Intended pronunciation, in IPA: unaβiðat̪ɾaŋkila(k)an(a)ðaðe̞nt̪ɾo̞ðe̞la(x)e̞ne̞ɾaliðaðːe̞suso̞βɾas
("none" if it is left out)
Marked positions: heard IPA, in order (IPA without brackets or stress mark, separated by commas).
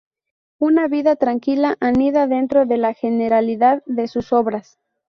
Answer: ʔ, i, x